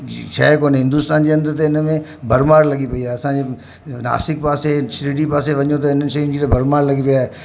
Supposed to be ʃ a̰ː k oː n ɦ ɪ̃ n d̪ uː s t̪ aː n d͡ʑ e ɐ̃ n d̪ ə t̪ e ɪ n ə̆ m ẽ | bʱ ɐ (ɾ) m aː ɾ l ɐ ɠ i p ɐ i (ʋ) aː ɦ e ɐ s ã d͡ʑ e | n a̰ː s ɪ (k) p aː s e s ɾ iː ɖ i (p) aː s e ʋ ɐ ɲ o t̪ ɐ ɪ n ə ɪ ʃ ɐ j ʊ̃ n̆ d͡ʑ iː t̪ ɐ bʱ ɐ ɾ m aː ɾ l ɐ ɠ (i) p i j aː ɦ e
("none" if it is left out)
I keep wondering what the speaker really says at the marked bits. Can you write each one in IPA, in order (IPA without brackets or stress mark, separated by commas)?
ɾ, none, k, p, i